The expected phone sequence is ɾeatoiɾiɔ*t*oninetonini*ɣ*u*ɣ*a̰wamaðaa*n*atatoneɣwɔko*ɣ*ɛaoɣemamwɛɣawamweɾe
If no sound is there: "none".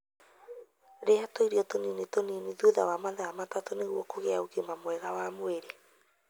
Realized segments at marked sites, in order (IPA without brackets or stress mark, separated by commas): t, ð, ð, m, ɣ